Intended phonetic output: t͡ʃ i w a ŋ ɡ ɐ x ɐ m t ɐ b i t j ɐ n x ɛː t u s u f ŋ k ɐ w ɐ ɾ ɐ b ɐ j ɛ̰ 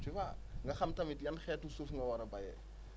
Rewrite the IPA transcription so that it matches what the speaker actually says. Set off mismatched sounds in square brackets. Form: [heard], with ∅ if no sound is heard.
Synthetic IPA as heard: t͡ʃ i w a ŋ ɡ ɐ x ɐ m t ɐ [m] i t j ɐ n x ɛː t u s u f ŋ [ɡ] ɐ w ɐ ɾ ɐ b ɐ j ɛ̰

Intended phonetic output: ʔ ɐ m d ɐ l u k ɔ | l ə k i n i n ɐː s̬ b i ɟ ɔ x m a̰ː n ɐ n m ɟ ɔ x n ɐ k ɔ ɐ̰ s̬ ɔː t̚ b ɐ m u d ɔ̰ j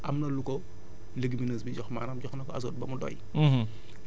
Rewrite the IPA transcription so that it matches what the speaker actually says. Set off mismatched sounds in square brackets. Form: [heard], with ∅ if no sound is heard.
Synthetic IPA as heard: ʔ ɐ m [n] ɐ l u k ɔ | l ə [ɡ] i [m] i n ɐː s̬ b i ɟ ɔ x m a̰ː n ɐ [∅] m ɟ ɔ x n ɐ k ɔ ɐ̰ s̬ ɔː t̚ b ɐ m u d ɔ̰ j

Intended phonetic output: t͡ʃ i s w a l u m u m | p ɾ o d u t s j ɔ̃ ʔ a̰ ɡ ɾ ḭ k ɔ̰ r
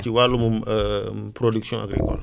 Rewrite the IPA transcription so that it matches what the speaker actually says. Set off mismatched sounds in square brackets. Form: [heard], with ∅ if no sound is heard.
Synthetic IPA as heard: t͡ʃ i [∅] w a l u m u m | p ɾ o d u [k] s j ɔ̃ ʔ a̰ ɡ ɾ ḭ k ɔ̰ [l]

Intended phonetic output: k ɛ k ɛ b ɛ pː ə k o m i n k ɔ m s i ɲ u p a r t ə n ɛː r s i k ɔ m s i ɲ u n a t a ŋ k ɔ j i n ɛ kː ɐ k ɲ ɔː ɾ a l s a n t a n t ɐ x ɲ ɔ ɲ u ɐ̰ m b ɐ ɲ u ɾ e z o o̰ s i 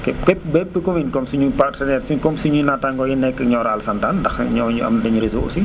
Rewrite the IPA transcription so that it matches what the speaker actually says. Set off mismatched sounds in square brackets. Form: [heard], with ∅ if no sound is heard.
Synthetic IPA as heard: k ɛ k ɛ b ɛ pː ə k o m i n k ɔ m s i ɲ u p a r t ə n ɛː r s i k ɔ m s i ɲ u n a t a ŋ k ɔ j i n ɛ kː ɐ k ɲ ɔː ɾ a l s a n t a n [d] ɐ x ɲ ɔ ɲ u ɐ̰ m [d] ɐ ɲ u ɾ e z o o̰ s i

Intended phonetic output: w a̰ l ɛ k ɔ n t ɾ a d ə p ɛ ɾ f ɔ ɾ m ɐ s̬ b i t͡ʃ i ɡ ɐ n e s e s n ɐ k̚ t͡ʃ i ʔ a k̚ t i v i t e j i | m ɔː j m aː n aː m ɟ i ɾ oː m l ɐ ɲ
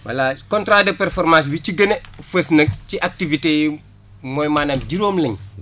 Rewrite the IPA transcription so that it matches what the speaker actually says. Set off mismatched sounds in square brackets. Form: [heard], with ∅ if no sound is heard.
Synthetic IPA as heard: w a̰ l [a] k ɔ n t ɾ a d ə p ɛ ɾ f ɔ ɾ m [a] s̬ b i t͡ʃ i ɡ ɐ n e [f] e s n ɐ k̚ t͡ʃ i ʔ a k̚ t i v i t e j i | m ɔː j m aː n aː m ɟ i ɾ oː m l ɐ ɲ

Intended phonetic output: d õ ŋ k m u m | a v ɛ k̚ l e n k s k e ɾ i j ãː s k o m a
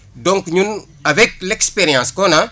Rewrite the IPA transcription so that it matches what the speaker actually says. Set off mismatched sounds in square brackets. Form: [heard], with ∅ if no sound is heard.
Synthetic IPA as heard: d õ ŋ k [ɲ] u [n] | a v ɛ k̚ l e [∅] k s [p] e ɾ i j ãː s k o [n] a

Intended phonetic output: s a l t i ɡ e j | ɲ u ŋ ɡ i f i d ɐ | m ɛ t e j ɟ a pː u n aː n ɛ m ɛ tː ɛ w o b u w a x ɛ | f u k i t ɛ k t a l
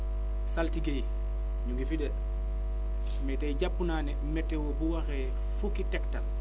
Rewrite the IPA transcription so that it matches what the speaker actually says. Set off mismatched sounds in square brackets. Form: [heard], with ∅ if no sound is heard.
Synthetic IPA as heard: s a l t i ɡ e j | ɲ u ŋ ɡ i f i d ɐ | m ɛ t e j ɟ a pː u n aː n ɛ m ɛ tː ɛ w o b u w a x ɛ | f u k i t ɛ k t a l

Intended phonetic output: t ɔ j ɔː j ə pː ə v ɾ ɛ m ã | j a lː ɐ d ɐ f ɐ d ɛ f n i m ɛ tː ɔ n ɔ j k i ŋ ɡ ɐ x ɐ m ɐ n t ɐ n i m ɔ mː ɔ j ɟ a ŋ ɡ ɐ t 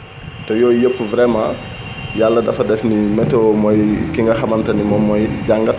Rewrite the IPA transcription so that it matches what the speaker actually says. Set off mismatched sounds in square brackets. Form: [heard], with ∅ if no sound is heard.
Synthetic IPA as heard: t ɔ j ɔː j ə pː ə v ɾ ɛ m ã | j a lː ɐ d ɐ f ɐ d ɛ f n i m ɛ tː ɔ [m] ɔ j k i ŋ ɡ ɐ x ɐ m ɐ n t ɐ n i m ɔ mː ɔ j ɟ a ŋ ɡ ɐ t

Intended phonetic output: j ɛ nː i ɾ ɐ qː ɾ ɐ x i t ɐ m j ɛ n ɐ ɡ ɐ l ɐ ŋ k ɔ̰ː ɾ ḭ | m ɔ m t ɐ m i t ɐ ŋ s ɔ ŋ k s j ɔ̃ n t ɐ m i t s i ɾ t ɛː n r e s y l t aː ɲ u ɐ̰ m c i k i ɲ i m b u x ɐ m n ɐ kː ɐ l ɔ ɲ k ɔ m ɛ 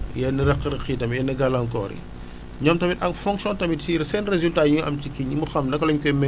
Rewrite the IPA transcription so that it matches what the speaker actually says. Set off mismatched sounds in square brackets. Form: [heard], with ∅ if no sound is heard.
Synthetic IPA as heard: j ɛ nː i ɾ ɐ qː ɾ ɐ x i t ɐ m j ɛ n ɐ ɡ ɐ l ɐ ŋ k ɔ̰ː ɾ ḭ | [ɲ] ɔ m t ɐ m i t ɐ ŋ [f] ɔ ŋ k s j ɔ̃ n t ɐ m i t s i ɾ [s] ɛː n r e [z] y l t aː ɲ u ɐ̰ m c i k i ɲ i m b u x ɐ m n ɐ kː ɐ l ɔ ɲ k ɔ m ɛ

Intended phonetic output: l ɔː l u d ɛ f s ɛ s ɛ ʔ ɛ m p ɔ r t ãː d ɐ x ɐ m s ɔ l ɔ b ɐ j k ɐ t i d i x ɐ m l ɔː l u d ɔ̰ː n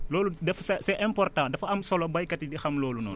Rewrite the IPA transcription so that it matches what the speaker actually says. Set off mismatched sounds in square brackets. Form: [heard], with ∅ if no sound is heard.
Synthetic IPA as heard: l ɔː l u d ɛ f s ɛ s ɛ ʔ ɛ m p ɔ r t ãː d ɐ [f] ɐ m s ɔ l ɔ b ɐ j k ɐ t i d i x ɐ m l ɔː l u [n] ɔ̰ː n

